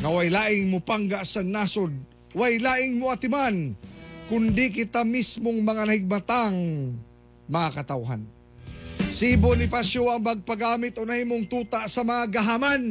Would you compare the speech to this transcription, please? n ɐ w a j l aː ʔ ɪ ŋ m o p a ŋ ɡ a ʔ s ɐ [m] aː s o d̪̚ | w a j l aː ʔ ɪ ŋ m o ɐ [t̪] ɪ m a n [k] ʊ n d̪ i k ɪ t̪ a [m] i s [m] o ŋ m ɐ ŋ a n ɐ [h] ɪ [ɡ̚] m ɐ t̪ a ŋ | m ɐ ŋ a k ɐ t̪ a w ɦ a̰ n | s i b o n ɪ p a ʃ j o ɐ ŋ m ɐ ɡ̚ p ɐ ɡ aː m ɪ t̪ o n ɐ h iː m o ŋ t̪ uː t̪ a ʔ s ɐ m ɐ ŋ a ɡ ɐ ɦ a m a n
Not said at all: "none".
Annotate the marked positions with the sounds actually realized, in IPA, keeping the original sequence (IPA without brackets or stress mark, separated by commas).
n, t̪, k, m, m, h, ɡ̚